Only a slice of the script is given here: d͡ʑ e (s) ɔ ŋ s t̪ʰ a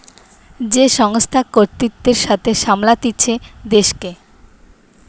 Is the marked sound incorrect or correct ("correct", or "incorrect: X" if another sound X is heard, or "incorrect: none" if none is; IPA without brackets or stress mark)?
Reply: incorrect: ʃ